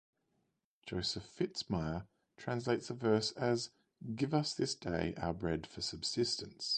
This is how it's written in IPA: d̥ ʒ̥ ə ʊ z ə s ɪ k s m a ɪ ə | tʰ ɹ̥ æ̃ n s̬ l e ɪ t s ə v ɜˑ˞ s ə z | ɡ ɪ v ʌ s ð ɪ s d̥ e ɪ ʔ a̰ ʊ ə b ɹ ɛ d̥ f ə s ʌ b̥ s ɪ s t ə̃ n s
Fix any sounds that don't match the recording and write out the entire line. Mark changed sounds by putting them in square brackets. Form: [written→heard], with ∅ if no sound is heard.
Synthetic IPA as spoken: d̥ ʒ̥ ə ʊ [z→s] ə [s→f] ɪ [k→t] s m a ɪ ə | tʰ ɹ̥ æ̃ n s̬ l e ɪ t s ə v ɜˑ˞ s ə z | ɡ ɪ v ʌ s ð ɪ s d̥ e ɪ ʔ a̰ ʊ ə b ɹ ɛ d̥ f ə s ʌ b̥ s ɪ s t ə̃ n s